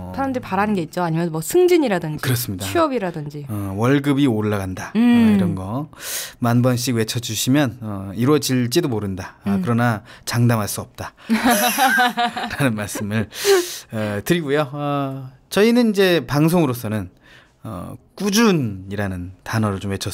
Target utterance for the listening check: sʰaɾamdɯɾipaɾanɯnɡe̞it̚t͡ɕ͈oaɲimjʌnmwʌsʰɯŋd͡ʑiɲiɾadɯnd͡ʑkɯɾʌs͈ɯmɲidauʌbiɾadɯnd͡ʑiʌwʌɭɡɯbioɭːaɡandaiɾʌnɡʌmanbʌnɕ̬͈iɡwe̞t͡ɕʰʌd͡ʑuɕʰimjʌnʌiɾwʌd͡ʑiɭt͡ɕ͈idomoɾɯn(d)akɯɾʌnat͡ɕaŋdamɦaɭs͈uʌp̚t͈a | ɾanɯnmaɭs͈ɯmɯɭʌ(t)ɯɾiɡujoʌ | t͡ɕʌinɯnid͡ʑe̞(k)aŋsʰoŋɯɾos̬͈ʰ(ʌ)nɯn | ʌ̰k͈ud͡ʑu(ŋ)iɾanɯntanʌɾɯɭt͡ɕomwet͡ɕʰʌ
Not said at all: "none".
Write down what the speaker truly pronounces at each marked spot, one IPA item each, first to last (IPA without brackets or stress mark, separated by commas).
d, t, p, ʌ, n